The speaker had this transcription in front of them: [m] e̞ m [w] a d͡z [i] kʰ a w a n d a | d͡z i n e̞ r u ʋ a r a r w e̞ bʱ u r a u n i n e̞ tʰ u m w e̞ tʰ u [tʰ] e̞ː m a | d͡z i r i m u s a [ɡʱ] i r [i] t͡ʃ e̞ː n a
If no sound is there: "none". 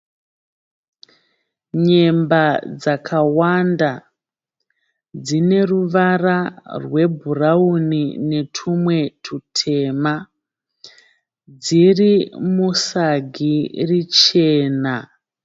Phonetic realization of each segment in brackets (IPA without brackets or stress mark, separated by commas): ɲ, b, a, tʰ, ɡʱ, i